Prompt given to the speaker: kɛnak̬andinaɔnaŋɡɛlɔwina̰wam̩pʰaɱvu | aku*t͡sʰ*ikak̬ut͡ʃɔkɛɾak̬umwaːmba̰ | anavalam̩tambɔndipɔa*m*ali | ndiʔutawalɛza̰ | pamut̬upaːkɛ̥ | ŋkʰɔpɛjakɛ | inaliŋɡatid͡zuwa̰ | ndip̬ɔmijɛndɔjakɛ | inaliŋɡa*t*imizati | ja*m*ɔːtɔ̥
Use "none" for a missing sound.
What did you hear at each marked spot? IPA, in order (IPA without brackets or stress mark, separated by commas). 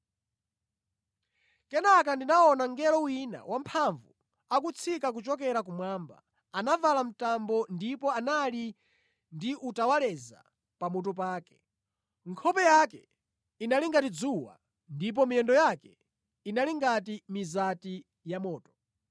t͡sʰ, n, t, m